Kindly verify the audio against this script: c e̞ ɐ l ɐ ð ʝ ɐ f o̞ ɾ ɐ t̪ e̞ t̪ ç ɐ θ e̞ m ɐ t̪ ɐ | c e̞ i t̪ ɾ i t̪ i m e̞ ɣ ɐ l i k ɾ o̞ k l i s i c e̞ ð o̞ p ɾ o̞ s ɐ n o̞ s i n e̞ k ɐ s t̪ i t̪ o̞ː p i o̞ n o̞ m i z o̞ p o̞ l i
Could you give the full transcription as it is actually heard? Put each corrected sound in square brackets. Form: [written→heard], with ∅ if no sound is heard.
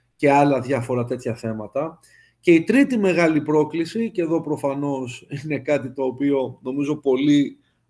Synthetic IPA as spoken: c e̞ ɐ l ɐ ð ʝ ɐ f o̞ ɾ ɐ t̪ e̞ t̪ ç ɐ θ e̞ m ɐ t̪ ɐ | c e̞ i t̪ ɾ i t̪ i m e̞ ɣ ɐ l i [k→p] ɾ o̞ k l i s i c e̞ ð o̞ p ɾ o̞ [s→f] ɐ n o̞ s i n e̞ k ɐ [s→∅] t̪ i t̪ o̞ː p i o̞ n o̞ m i z o̞ p o̞ l i